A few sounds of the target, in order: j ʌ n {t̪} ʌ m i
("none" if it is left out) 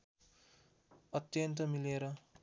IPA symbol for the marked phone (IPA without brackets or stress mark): t̪